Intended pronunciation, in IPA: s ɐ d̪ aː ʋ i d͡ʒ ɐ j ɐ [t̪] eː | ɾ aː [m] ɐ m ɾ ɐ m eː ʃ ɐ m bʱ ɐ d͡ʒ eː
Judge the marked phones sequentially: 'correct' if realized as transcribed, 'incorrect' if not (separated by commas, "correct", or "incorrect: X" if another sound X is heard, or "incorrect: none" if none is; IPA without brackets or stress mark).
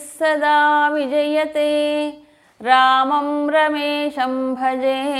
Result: correct, correct